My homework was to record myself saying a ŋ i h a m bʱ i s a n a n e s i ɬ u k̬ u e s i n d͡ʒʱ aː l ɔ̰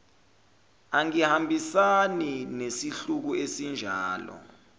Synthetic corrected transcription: a ŋ i h a m bʱ i s a n i n e s i ɬ u k̬ u e s i n d͡ʒʱ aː l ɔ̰